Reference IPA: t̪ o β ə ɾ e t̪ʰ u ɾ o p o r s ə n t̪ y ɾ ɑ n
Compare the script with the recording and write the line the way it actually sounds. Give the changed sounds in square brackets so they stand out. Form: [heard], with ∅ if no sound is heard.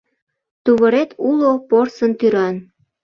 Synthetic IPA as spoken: t̪ [u] β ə ɾ e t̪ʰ u [l] o p o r s ə n t̪ y ɾ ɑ n